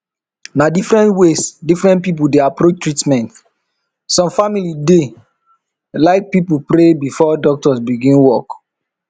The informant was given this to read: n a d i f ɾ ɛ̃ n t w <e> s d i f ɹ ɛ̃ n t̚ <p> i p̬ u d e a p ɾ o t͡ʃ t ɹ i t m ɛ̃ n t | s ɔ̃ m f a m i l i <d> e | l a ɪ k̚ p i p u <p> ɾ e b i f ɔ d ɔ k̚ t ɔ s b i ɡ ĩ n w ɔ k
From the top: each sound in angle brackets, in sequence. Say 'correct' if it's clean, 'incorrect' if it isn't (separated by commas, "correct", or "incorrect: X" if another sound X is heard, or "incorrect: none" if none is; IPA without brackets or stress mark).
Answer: correct, correct, correct, correct